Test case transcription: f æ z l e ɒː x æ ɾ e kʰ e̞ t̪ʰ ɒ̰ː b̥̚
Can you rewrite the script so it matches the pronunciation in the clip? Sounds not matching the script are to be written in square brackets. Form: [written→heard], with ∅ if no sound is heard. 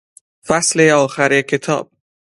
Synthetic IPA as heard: f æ [z→s] l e ɒː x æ ɾ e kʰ e̞ t̪ʰ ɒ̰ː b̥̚